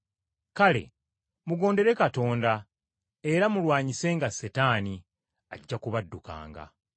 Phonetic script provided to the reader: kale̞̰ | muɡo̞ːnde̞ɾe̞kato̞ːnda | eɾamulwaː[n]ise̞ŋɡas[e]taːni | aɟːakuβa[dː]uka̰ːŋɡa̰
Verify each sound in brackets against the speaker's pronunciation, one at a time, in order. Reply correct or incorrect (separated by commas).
incorrect, correct, correct